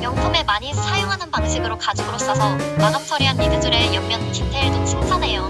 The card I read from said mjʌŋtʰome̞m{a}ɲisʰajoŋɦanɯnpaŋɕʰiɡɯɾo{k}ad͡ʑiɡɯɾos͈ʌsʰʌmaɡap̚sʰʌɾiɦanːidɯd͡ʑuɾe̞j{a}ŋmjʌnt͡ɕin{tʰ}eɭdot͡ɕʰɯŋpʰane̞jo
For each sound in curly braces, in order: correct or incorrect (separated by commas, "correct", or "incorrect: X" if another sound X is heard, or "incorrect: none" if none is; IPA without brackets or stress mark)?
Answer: correct, correct, incorrect: ʌ, correct